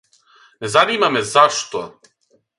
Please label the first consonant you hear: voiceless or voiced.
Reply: voiced